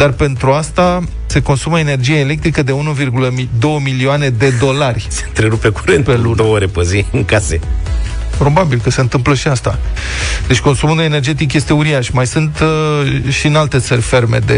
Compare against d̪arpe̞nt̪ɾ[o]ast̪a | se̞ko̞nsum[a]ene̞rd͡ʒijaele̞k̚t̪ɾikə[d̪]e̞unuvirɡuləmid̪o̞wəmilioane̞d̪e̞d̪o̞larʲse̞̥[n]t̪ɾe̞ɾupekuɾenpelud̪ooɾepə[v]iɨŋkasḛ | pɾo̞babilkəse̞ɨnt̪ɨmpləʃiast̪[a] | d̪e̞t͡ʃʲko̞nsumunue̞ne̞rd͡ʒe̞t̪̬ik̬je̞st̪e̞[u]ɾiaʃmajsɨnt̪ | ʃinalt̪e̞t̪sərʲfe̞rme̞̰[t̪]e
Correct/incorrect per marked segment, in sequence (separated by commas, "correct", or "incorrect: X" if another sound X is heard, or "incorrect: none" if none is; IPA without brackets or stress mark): incorrect: u, incorrect: ə, correct, correct, incorrect: z, correct, correct, incorrect: d̪